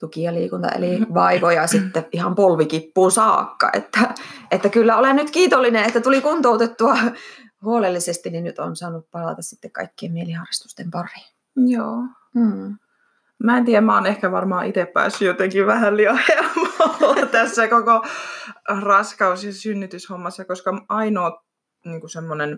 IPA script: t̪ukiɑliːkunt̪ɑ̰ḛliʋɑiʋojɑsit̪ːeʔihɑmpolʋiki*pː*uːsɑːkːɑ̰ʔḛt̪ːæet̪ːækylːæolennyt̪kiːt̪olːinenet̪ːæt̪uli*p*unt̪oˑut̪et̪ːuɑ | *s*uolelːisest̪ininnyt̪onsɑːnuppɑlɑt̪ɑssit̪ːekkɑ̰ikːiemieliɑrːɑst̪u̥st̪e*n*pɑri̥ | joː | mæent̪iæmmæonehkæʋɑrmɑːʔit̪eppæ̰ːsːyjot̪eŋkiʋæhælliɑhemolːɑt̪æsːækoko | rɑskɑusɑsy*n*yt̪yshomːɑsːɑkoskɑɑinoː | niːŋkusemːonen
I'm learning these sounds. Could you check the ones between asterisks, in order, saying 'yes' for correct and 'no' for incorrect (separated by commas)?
yes, no, no, no, no